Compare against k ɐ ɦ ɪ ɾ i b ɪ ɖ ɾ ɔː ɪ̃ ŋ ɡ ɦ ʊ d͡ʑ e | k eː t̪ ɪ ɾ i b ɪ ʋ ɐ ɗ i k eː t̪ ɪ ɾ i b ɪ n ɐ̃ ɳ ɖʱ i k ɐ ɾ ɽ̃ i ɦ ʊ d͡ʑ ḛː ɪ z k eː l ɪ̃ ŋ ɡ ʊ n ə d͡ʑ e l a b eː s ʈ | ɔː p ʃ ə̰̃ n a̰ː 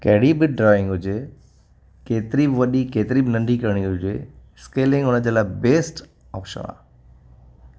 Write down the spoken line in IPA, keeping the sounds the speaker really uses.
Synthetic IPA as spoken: k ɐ ɦ ɪ ɽ i b ɪ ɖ ɾ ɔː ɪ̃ ŋ ɡ ɦ ʊ d͡ʑ e | k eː t̪ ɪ ɾ i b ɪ ʋ ɐ ɗ i k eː t̪ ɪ ɾ i b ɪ n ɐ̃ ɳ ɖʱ i k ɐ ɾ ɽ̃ i ɦ ʊ d͡ʑ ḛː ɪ s k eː l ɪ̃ ŋ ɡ ʊ n ə d͡ʑ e l a b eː s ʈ | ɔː p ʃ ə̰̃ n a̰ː